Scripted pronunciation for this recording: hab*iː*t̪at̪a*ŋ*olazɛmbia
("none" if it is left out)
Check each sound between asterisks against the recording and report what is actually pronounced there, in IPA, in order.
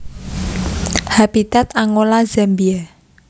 i, ŋ

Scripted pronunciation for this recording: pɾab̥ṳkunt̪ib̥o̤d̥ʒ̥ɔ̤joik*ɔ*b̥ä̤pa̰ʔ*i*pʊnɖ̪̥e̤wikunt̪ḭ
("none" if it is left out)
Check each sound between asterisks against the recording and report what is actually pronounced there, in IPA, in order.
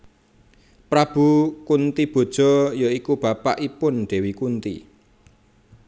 u, i

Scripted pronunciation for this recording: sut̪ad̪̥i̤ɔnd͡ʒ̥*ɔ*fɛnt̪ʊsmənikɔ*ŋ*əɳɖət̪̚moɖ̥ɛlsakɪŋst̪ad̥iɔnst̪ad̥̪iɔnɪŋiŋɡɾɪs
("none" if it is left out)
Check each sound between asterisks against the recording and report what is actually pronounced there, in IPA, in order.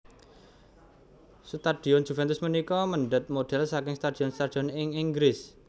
u, m

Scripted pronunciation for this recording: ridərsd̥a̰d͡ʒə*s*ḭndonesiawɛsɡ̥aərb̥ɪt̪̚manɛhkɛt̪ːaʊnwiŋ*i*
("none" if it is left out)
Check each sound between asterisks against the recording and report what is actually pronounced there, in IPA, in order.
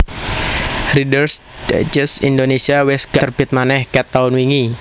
s, i

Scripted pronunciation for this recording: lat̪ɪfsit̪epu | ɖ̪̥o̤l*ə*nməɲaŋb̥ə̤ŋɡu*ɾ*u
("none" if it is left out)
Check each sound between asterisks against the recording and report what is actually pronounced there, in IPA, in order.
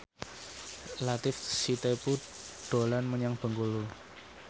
a, l

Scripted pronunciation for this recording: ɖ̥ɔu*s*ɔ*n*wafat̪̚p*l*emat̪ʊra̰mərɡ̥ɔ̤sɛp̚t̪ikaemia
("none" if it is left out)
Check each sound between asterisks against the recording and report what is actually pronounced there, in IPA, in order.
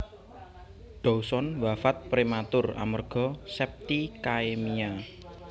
s, n, ɾ

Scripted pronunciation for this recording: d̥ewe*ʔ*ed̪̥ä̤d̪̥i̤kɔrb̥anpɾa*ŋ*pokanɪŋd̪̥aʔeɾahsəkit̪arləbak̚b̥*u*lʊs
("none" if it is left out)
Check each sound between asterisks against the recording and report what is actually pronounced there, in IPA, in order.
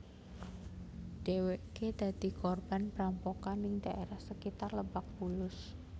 k, m, u

